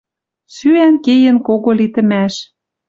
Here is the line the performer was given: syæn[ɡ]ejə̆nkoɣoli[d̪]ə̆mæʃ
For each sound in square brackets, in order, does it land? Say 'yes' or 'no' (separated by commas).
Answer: no, no